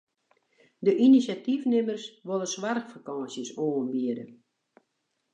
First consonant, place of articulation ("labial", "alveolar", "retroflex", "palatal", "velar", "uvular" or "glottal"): alveolar